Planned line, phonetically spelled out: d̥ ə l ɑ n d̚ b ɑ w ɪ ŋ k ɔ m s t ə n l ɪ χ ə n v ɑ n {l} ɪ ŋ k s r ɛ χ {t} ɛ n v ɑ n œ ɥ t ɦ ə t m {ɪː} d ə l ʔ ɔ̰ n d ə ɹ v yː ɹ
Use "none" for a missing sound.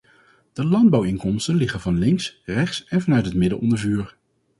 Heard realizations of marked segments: l, s, ɪ

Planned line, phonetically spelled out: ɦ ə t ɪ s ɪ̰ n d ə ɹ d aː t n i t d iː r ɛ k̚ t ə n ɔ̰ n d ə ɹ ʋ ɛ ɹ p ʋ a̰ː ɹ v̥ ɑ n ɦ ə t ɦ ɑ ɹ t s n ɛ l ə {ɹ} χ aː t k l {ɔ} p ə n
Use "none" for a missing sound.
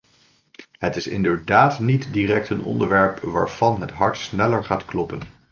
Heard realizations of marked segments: ɹ, ɔ

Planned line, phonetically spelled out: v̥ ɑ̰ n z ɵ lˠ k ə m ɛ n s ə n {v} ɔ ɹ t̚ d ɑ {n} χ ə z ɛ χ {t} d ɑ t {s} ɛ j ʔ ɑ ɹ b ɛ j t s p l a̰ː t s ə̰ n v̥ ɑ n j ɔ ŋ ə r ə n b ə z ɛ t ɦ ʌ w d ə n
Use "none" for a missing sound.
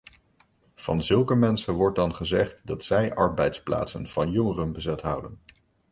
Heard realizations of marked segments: ʋ, n, t, s

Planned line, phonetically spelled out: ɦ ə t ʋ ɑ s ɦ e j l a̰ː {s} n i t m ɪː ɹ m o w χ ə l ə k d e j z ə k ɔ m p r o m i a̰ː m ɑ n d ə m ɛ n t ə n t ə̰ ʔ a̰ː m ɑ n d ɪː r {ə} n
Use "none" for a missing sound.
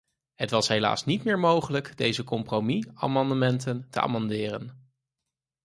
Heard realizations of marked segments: s, ə

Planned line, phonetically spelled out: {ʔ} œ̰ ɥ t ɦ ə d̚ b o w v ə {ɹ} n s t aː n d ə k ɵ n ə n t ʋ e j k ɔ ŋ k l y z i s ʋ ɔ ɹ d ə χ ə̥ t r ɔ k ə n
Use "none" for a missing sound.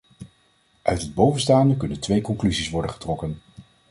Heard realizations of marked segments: ʔ, none

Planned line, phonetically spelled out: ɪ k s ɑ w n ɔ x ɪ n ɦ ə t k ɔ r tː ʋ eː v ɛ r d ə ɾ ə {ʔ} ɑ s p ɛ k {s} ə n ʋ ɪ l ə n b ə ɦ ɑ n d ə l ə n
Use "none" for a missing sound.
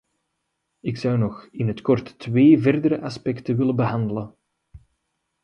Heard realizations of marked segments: ʔ, t

